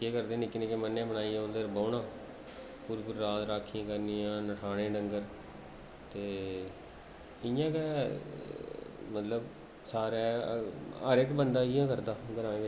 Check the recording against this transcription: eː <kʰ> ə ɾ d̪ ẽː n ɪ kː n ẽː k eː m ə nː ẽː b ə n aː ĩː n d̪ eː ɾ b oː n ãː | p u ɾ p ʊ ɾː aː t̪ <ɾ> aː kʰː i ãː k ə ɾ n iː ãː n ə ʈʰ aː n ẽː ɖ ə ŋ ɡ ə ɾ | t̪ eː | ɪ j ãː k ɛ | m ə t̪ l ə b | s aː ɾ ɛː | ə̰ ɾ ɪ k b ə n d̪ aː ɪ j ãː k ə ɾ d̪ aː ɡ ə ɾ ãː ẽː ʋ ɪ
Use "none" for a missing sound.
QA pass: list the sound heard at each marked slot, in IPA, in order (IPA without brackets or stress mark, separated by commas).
k, ɾ